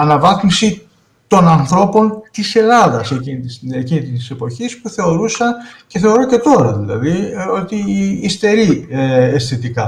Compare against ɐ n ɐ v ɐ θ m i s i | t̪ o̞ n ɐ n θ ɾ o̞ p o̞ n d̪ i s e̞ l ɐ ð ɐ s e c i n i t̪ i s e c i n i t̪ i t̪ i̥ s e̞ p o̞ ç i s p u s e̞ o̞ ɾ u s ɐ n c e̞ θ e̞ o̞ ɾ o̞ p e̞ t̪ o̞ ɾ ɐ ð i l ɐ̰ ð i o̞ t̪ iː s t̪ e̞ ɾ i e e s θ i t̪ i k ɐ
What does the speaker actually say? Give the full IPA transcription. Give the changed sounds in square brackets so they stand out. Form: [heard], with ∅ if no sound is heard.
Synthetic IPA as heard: ɐ n ɐ v ɐ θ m i s i | t̪ o̞ n ɐ n θ ɾ o̞ p o̞ n [t̪] i s e̞ l ɐ ð ɐ s e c i n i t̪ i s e c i n i t̪ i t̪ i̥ s e̞ p o̞ ç i s p u [θ] e̞ o̞ ɾ u s ɐ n c e̞ θ e̞ o̞ ɾ o̞ [c] e̞ t̪ o̞ ɾ ɐ ð i l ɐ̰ ð i o̞ t̪ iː s t̪ e̞ ɾ i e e s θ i t̪ i k ɐ